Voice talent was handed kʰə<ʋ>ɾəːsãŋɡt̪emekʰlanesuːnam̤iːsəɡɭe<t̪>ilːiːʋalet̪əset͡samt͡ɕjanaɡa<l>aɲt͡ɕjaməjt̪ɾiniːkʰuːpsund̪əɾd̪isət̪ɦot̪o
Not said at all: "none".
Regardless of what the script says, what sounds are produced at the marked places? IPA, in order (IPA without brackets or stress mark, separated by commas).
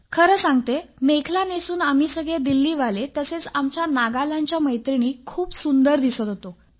none, d̪, l